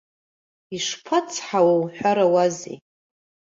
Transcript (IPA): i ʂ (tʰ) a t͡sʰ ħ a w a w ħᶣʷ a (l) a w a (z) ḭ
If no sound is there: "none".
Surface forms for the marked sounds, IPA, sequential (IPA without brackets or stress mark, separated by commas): pʰ, ɾ, z